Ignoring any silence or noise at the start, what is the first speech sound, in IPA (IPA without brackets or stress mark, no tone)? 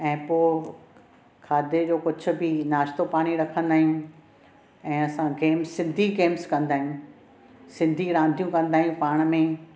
ɛ̃ː